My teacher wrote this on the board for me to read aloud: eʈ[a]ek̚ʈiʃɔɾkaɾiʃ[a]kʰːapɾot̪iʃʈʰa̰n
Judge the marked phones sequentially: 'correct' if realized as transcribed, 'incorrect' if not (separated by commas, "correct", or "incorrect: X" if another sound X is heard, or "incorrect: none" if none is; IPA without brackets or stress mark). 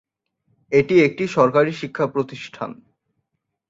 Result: incorrect: i, incorrect: i